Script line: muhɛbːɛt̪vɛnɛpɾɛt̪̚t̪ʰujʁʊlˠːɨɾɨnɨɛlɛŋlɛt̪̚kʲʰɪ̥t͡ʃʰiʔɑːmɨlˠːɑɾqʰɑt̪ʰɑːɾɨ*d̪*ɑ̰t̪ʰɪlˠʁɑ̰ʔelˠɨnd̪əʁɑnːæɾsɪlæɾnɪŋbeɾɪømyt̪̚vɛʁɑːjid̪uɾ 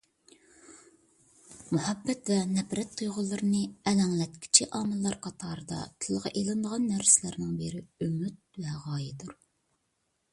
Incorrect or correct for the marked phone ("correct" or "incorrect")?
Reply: correct